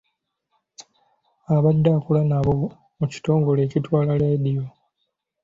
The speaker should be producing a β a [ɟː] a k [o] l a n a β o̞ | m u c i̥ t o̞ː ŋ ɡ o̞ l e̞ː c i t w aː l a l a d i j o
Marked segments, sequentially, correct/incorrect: incorrect, incorrect

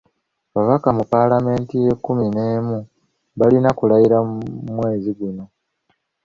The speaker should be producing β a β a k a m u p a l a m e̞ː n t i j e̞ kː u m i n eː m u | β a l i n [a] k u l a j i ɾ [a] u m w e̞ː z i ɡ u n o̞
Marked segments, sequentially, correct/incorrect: correct, correct

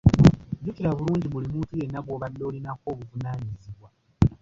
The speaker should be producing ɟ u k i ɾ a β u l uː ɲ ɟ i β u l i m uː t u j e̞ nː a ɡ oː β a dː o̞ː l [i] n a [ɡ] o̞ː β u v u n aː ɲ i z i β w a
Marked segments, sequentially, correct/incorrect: correct, incorrect

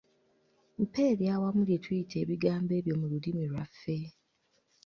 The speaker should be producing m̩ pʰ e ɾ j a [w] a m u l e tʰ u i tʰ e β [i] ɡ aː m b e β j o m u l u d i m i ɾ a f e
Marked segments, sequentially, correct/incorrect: correct, correct

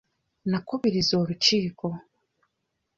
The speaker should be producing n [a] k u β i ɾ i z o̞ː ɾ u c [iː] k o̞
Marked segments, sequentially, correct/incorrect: correct, correct

